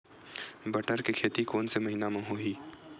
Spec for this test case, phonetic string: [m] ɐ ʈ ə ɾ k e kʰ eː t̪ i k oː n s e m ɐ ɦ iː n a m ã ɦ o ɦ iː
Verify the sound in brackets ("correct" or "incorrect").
incorrect